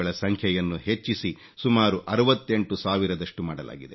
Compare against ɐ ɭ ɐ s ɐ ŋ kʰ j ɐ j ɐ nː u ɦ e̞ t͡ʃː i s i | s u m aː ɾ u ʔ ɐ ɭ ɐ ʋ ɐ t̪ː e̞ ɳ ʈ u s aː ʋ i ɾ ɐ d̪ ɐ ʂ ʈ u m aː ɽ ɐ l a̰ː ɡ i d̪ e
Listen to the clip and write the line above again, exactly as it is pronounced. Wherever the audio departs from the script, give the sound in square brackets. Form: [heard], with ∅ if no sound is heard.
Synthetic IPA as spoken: ɐ ɭ ɐ s ɐ ŋ kʰ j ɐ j ɐ nː u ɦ e̞ t͡ʃː i s i | s u m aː ɾ u ʔ ɐ [ɾ] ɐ ʋ ɐ t̪ː e̞ ɳ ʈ u s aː ʋ i ɾ ɐ d̪ ɐ ʂ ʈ u m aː ɽ ɐ l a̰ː ɡ i d̪ e